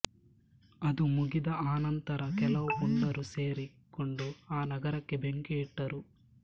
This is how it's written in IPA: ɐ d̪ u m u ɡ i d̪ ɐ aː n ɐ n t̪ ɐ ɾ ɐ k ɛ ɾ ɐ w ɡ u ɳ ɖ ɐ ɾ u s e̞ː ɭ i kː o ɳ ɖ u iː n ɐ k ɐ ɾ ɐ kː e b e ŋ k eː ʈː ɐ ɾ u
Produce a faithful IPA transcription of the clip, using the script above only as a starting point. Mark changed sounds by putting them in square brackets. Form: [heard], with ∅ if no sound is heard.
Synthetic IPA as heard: ɐ d̪ u m u ɡ i d̪ ɐ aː n ɐ n t̪ ɐ ɾ ɐ k ɛ [l] ɐ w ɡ u ɳ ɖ ɐ ɾ u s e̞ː [ɾ] i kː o ɳ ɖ u [aː] n ɐ [ɡ] ɐ ɾ ɐ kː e b e ŋ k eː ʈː ɐ ɾ u